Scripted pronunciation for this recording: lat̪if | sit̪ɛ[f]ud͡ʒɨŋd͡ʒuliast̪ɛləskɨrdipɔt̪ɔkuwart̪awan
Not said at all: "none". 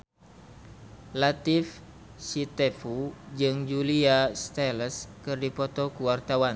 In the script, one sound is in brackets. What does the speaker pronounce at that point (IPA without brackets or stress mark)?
f